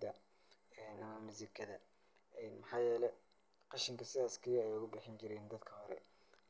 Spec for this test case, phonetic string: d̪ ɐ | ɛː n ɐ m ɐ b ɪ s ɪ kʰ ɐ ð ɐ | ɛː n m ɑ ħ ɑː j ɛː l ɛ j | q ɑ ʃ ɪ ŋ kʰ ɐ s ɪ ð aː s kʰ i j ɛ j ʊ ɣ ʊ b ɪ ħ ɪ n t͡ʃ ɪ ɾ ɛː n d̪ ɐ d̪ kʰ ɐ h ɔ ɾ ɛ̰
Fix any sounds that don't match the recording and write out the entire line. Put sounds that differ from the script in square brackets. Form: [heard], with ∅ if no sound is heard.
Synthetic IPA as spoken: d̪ ɐ | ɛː n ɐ m ɐ [m] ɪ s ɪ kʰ ɐ ð ɐ | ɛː n m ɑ ħ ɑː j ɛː l ɛ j | q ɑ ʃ ɪ ŋ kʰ ɐ s ɪ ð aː s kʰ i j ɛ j ʊ ɣ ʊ b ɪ ħ ɪ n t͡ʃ ɪ ɾ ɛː n d̪ ɐ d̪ kʰ ɐ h ɔ ɾ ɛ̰